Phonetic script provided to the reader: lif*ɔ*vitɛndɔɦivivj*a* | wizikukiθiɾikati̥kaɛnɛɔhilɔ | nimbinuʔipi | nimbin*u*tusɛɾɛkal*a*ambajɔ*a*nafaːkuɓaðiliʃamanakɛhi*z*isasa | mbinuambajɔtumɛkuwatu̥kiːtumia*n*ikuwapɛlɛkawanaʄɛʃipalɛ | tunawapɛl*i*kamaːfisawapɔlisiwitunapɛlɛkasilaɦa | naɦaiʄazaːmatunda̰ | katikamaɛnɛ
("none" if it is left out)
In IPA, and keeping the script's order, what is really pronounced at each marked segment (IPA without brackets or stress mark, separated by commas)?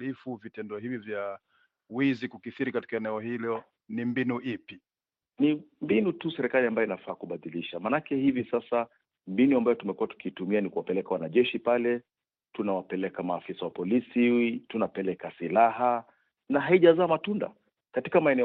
u, a, u, i, i, v, n, ɛ